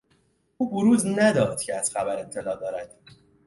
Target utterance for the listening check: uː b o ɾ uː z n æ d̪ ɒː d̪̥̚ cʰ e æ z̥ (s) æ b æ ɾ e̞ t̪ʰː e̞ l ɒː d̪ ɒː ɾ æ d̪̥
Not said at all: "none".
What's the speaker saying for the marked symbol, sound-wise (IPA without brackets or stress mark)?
x